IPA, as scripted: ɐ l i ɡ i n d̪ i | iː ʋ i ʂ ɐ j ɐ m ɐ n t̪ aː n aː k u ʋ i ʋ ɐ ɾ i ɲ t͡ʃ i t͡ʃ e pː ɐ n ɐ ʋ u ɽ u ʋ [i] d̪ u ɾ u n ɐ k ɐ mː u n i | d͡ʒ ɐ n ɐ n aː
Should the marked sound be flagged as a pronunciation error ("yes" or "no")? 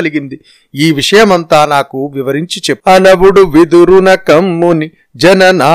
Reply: no